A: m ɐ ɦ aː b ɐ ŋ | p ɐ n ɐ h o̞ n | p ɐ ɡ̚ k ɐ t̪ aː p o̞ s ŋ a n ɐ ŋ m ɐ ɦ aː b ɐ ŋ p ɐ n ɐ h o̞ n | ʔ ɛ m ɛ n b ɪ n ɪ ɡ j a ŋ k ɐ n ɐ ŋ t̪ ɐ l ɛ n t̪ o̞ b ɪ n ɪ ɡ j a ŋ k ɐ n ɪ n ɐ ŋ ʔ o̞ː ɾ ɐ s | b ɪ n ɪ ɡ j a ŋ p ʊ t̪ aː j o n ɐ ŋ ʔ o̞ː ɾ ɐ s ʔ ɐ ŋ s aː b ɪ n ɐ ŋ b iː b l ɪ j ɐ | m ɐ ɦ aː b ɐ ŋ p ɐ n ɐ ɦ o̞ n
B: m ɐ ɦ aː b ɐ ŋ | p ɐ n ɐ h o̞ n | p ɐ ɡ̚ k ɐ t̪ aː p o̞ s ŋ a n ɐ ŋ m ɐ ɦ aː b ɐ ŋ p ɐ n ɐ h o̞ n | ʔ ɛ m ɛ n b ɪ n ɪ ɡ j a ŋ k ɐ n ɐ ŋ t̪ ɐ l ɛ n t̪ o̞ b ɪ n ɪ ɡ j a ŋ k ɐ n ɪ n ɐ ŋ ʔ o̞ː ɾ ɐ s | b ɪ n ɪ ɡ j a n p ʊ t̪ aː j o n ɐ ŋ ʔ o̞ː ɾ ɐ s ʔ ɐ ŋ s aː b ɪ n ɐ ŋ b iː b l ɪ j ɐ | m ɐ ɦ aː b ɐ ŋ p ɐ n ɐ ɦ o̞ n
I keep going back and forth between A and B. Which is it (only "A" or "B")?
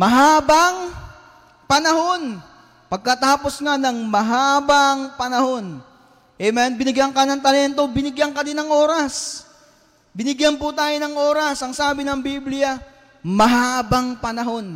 B